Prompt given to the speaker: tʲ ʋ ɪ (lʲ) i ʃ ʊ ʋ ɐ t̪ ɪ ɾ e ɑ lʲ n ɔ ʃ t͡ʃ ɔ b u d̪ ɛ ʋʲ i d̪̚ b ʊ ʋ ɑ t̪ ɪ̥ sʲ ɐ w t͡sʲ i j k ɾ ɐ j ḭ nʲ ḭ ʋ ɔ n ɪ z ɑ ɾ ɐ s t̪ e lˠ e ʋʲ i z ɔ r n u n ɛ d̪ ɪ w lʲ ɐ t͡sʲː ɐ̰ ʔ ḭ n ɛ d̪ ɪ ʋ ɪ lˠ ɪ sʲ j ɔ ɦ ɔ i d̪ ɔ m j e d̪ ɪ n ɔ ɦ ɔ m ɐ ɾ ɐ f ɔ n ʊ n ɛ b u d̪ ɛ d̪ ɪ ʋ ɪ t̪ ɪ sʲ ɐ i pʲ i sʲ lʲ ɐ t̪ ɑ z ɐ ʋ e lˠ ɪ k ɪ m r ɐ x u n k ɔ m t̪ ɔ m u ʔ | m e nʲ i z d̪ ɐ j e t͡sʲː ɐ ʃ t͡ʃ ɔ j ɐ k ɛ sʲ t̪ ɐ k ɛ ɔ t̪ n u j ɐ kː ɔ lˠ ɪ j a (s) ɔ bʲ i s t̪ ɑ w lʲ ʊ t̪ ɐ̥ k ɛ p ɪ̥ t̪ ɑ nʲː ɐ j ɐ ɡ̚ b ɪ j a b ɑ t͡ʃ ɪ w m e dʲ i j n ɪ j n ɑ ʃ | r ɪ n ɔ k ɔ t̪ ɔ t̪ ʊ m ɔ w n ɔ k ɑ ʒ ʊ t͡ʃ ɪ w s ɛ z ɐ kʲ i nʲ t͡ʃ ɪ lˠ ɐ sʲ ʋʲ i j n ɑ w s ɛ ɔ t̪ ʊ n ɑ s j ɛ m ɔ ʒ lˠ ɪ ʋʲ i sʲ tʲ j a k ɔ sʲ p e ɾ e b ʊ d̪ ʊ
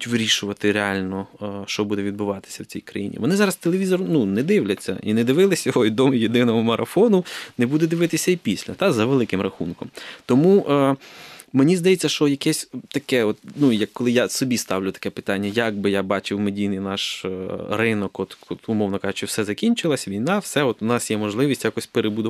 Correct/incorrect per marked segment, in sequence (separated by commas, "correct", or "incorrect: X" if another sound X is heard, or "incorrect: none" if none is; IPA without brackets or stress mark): incorrect: ɾʲ, correct